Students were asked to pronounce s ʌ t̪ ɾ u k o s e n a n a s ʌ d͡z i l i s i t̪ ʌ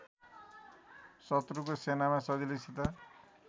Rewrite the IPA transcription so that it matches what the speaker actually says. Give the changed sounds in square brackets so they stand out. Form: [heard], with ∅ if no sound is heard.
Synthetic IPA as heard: s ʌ t̪ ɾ u k o s e n a [m] a s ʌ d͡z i l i s i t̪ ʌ